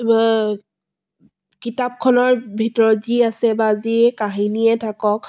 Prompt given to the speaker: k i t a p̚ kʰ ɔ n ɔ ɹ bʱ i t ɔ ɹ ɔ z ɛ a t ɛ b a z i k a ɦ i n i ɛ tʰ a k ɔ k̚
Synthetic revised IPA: k i t a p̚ kʰ ɔ n ɔ ɹ bʱ i t ɔ ɹ ɔ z i a s ɛ b a z i k a ɦ i n i ɛ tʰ a k ɔ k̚